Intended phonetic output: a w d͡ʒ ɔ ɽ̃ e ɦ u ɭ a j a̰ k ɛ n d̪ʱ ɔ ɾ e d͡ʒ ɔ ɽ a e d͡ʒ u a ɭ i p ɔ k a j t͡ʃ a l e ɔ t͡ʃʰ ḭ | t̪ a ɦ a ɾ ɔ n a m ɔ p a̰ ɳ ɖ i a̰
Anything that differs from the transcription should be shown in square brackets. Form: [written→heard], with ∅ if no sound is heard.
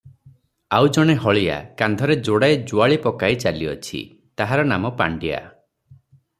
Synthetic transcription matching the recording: a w d͡ʒ ɔ ɽ̃ e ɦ [u→ɔ] ɭ [a→i] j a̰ k [ɛ→a] n d̪ʱ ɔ ɾ e d͡ʒ [ɔ→o] ɽ a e d͡ʒ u a ɭ i p ɔ k a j t͡ʃ a l [e→i] ɔ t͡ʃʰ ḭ | t̪ a ɦ a ɾ ɔ n a m ɔ p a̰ ɳ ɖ i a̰